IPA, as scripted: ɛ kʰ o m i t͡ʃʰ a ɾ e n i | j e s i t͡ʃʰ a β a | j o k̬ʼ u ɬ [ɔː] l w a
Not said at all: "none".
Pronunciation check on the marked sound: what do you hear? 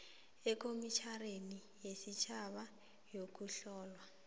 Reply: ɔː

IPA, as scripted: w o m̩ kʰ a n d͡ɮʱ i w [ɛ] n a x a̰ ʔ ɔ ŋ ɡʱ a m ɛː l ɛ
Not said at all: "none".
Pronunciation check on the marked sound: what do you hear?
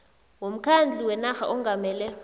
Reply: ɛ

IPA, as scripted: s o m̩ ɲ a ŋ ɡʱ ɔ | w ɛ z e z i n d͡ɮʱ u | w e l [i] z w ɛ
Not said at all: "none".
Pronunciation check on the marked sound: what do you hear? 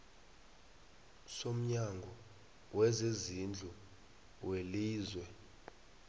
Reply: iː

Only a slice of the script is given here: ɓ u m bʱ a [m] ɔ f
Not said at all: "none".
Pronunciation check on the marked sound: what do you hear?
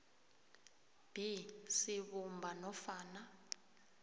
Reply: n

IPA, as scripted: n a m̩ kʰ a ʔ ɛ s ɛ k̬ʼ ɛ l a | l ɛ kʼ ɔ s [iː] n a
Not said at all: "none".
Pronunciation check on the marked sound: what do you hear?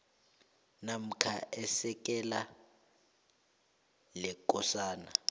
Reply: aː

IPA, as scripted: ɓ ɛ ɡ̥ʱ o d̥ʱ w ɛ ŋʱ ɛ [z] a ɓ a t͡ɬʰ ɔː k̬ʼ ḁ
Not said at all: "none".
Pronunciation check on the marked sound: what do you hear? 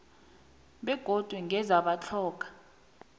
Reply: z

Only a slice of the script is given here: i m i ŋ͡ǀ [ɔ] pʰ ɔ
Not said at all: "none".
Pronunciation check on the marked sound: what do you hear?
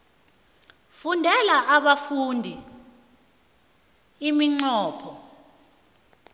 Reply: ɔː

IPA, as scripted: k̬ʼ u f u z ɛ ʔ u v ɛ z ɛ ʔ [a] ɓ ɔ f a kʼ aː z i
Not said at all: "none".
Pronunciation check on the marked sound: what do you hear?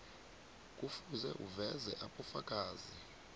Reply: a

